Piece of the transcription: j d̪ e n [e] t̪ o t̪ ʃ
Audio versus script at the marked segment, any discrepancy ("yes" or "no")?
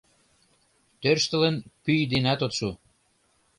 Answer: yes